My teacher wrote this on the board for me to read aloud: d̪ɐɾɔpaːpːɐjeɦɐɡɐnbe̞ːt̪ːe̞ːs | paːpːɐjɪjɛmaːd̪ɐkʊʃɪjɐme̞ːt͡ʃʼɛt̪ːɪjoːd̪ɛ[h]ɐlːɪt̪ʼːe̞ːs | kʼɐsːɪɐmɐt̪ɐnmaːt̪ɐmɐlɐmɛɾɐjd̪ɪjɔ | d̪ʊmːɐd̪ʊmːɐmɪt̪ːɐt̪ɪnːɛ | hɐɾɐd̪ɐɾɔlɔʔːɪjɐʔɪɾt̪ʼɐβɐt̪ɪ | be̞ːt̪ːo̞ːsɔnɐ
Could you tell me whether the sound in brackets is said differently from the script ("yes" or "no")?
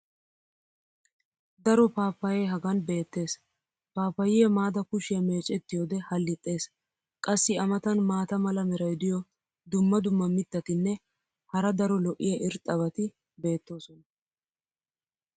no